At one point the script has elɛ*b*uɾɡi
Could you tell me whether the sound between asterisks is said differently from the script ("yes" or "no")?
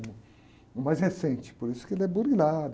no